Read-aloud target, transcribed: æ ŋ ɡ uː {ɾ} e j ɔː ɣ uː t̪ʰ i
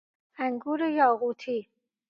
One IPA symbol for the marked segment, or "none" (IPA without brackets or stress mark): ɾ